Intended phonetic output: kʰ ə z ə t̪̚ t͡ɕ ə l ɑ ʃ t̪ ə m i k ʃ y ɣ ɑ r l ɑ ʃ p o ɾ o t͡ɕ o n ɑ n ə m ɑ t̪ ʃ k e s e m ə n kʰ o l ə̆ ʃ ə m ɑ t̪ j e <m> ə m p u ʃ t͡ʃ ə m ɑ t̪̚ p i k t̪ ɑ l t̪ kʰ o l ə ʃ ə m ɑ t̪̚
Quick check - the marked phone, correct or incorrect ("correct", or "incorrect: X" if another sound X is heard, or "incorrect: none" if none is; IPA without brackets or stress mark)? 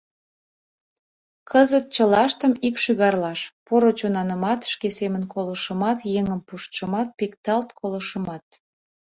incorrect: ŋ